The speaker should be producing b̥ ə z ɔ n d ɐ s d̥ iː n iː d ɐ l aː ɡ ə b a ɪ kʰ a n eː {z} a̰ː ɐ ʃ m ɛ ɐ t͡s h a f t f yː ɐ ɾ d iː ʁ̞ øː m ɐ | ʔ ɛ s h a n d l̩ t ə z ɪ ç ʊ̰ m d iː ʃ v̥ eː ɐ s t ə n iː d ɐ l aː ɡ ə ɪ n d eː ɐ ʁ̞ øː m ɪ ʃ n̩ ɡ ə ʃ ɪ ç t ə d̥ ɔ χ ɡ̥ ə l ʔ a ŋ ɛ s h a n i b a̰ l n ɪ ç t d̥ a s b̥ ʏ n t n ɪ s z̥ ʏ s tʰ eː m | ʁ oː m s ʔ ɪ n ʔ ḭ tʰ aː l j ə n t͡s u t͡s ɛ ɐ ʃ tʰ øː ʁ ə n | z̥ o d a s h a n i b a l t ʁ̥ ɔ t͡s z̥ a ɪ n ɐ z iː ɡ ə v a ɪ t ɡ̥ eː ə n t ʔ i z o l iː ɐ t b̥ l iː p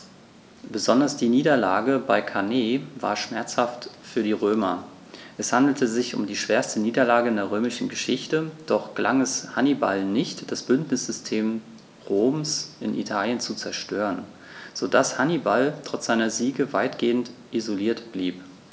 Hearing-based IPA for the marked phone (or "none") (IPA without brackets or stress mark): v